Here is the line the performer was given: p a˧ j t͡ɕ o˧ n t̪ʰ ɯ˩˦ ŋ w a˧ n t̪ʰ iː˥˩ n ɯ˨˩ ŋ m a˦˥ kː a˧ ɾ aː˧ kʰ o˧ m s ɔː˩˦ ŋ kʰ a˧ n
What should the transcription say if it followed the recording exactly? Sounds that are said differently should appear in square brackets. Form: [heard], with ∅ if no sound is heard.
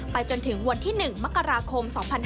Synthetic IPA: p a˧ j t͡ɕ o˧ n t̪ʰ ɯ˩˦ ŋ w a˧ n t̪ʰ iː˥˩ n ɯ˨˩ ŋ m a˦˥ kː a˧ ɾ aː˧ kʰ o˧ m s ɔː˩˦ ŋ [pʰ] a˧ n